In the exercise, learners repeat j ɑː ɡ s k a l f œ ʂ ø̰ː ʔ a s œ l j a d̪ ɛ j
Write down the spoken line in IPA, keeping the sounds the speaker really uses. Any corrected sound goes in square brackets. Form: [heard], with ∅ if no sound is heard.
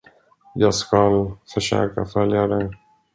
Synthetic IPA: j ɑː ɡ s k a l f œ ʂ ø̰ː [k] a [f] œ l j a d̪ ɛ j